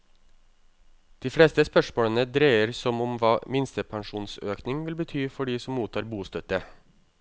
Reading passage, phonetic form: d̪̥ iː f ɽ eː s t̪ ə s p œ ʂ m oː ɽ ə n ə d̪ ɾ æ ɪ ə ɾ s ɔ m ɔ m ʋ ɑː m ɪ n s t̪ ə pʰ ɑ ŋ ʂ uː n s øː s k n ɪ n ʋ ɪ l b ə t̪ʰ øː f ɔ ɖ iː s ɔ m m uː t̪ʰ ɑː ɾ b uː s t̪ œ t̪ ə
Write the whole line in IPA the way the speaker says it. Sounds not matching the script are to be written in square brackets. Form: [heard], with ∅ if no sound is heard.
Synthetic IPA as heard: d̪̥ iː f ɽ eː s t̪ ə s p œ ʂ m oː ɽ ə n ə d̪ ɾ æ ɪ ə ɾ s ɔ m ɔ m ʋ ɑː m ɪ n s t̪ ə pʰ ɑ ŋ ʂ uː n s øː [∅] k n ɪ [ŋ] ʋ ɪ l b ə t̪ʰ [yː] f ɔ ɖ iː s ɔ m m uː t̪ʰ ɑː ɾ b uː s t̪ œ t̪ ə